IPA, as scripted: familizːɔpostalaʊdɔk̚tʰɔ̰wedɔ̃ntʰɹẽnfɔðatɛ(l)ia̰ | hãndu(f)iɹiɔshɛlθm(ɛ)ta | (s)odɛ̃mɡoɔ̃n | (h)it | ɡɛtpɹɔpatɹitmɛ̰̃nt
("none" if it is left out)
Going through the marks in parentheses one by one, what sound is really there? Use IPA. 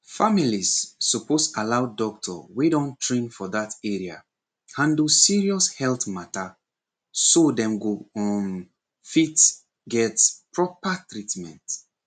ɹ, s, a, s, f

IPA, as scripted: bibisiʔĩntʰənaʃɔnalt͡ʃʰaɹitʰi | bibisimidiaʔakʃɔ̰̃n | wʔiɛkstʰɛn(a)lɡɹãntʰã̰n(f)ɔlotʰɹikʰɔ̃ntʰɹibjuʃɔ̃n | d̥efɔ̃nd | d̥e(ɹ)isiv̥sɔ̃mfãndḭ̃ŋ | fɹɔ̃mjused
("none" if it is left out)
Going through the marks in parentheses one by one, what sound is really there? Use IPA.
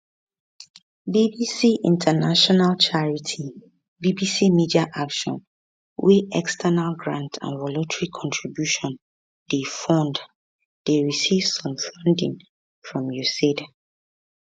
a, v, ɹ

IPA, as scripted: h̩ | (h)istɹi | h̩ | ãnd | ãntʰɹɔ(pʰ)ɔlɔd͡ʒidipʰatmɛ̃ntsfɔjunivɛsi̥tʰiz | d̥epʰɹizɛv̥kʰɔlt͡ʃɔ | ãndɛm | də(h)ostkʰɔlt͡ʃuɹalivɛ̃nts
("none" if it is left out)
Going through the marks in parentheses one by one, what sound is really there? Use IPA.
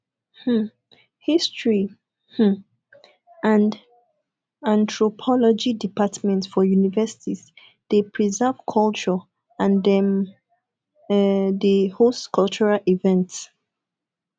h, pʰ, h

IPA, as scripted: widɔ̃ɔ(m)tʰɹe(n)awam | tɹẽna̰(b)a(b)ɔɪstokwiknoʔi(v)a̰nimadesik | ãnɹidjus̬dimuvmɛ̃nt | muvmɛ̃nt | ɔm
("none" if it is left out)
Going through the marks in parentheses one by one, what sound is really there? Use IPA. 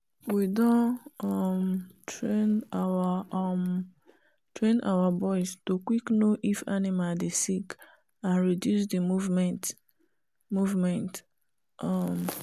m, n, w, b, f

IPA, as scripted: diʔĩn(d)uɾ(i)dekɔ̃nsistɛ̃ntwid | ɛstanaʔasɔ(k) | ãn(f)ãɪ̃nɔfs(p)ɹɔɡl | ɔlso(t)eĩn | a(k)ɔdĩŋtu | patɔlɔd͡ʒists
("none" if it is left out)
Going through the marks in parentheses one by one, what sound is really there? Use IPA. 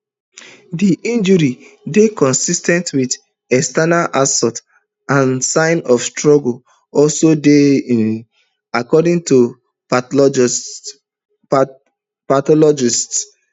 d͡ʒ, i, t, s, t, d, k

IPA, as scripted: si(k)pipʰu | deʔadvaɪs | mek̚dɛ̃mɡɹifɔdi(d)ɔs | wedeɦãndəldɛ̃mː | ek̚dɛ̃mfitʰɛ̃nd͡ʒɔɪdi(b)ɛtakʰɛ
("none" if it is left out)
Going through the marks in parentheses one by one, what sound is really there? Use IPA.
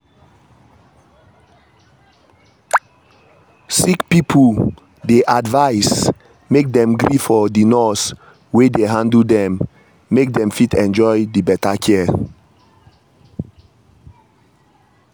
k, n, b

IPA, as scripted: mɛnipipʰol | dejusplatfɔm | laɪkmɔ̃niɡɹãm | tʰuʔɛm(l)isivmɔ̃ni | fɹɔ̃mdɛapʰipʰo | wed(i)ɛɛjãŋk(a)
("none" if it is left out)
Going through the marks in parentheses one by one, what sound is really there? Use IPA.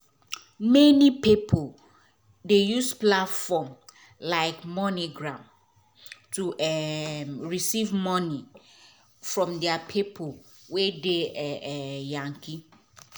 ɹ, e, i

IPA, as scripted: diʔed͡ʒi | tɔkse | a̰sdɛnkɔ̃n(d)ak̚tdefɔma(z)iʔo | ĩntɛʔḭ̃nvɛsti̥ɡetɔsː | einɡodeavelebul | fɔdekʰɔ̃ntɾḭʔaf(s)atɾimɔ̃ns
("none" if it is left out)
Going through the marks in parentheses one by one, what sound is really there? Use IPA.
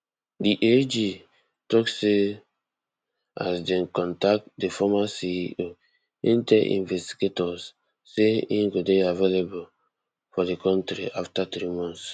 t, s, t

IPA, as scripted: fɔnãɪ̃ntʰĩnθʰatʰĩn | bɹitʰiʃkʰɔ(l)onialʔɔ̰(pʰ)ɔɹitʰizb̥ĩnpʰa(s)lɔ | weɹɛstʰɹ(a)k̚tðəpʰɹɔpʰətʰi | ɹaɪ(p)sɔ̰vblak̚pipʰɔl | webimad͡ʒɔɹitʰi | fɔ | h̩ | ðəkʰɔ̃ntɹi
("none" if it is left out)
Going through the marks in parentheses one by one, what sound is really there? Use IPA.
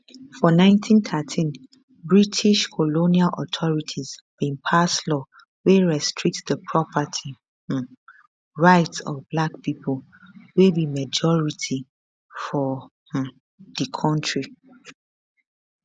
l, tʰ, s, i, t

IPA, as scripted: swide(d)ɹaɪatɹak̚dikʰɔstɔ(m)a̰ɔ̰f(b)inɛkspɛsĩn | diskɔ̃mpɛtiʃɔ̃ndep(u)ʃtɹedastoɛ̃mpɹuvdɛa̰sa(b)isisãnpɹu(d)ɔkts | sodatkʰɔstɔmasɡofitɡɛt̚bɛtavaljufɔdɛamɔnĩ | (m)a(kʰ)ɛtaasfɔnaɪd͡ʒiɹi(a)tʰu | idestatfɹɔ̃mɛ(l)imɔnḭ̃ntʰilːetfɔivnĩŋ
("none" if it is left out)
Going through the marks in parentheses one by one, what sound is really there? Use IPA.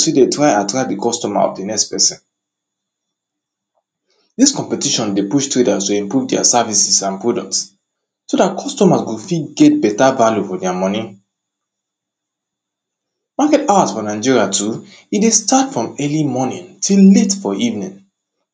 t, m, d, u, v, d, m, k, a, l

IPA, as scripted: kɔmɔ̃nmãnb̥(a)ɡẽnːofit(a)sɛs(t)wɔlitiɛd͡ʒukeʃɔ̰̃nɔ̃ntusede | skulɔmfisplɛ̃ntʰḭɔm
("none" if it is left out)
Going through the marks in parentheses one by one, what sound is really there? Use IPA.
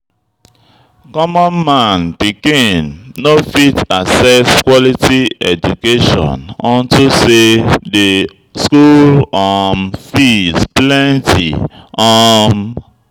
i, a, k

